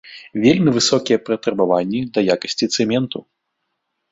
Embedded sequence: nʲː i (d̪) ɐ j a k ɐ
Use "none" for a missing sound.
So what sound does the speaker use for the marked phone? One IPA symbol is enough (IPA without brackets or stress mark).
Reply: d̪